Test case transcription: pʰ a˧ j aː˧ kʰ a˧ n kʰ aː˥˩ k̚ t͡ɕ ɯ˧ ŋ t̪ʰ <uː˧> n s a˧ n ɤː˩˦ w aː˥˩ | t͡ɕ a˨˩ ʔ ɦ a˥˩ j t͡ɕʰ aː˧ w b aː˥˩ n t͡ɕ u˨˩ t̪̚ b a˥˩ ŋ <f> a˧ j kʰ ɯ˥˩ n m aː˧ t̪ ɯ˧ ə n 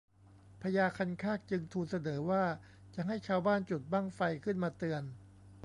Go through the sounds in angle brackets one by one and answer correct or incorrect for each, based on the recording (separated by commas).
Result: correct, correct